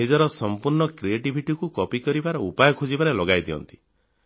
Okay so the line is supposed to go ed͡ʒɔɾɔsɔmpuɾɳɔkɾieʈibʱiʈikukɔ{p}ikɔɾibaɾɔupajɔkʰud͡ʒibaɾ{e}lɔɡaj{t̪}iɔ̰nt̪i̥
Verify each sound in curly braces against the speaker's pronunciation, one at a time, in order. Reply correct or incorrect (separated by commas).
correct, correct, incorrect